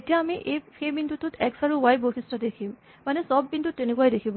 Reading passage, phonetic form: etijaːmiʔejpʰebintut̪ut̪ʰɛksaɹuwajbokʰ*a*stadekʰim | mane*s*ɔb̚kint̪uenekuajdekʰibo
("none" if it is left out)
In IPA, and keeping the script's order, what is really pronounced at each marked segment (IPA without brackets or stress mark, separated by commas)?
i, s